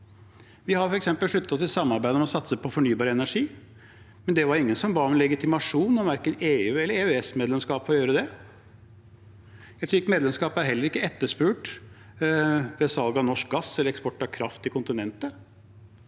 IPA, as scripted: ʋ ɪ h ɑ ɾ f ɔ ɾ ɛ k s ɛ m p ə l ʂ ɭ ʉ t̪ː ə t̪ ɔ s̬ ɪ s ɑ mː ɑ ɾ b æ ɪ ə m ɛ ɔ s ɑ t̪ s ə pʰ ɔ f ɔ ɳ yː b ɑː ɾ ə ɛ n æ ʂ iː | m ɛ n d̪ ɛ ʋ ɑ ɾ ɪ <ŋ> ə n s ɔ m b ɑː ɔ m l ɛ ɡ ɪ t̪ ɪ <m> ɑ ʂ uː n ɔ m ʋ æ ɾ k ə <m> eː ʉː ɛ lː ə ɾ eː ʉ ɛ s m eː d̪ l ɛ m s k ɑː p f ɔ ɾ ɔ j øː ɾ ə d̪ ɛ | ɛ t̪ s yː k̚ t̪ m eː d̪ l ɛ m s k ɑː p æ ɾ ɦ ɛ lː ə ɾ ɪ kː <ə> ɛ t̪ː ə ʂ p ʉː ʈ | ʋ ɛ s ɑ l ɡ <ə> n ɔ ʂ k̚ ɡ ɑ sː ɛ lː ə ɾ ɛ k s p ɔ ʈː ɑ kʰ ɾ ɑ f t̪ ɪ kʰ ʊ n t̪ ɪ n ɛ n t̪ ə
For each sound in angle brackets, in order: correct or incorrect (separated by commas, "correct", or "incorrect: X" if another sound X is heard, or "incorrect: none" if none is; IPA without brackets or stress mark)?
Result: incorrect: ŋː, correct, incorrect: n, correct, incorrect: ɑ